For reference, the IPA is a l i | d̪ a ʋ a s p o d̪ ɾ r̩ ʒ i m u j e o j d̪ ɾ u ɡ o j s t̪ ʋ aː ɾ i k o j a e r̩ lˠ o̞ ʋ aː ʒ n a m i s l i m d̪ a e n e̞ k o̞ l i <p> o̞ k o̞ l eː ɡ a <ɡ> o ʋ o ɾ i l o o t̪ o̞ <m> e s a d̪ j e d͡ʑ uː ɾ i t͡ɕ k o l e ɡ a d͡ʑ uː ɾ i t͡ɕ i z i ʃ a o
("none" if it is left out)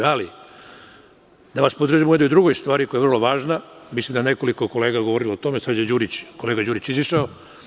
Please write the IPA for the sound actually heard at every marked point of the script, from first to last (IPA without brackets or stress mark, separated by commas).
k, ɡ, m